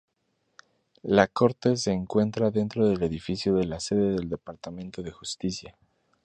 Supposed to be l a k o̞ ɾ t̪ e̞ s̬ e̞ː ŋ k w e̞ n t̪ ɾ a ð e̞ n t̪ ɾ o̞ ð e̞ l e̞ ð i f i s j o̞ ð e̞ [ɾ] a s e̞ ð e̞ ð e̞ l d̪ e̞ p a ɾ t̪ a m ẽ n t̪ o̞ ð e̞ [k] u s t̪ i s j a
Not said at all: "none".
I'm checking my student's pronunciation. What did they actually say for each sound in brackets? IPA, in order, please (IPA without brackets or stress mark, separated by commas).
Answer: l, x